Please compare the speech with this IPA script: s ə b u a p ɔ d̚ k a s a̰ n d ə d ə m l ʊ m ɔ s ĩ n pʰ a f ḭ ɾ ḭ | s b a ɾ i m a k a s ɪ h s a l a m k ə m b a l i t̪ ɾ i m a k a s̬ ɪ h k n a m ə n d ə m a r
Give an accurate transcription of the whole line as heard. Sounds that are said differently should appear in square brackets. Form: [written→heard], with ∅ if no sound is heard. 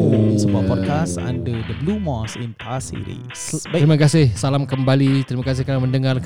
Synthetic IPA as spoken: s ə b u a p ɔ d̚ k a s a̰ n d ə d ə [m→b] l [ʊ→u] m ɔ s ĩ n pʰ a [f→s] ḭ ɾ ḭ | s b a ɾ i m a k a s ɪ h s a l a m k ə m b a l i t̪ ɾ i m a k a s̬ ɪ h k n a m ə n d ə [m→ŋ] a r